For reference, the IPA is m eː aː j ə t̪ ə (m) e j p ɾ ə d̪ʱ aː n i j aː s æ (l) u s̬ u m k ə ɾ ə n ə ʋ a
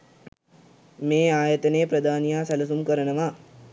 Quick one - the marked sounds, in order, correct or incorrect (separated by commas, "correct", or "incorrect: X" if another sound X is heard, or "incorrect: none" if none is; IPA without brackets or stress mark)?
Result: incorrect: n, correct